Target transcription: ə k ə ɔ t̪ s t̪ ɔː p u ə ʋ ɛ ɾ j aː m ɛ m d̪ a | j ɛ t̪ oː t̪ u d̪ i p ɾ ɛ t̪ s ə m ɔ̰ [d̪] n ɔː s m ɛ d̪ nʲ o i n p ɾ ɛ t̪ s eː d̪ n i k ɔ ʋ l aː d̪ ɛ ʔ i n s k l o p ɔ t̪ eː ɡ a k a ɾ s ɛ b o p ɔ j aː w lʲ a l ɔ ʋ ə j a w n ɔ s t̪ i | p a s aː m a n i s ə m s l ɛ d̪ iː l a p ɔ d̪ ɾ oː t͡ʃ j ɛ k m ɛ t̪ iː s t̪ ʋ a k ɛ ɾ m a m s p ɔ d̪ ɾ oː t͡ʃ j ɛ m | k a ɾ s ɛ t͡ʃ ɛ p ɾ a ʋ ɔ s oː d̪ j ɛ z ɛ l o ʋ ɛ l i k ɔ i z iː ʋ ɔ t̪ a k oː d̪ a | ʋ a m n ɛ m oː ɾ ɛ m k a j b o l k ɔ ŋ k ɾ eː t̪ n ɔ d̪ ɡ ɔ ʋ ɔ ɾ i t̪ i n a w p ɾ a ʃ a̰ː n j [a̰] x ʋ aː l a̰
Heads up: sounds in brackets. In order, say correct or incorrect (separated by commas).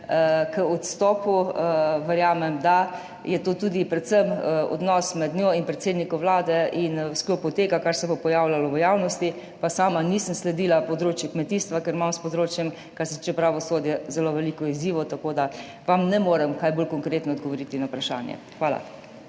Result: correct, incorrect